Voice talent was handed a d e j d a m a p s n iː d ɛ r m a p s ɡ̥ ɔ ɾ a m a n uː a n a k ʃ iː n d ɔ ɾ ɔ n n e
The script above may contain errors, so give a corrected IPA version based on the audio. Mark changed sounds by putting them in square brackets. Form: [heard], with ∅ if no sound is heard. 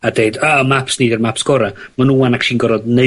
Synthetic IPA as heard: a d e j d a m a p s n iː d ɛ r m a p s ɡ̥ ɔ ɾ a m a n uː a n a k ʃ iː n [ɡ] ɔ ɾ ɔ [d] n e